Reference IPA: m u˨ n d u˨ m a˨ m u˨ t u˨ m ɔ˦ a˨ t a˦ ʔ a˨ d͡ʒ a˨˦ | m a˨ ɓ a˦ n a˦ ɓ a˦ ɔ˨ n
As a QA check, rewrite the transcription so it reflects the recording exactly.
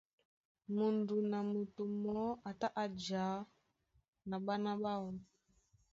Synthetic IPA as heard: m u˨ n d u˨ n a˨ m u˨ t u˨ m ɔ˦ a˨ t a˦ ʔ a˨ d͡ʒ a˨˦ | n a˨ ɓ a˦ n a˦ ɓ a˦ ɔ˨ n